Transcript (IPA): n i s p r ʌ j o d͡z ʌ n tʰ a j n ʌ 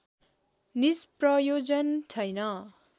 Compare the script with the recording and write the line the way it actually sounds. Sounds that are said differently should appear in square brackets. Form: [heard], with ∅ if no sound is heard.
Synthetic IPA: n i s p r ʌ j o d͡z ʌ n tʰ [ʌ] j n ʌ